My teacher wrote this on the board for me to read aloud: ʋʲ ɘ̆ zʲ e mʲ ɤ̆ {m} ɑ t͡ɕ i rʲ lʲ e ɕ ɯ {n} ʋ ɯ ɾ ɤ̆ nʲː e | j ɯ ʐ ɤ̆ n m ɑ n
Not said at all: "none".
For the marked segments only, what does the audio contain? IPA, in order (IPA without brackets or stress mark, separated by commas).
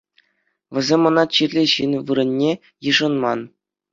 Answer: n, n